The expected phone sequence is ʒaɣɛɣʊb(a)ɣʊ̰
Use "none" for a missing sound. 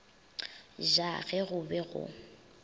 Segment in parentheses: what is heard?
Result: ɛ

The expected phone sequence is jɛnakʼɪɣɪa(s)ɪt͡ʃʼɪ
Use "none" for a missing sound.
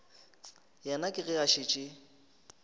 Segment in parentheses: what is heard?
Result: ʃ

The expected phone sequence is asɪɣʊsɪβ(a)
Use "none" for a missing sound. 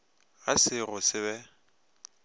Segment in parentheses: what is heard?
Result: ɛ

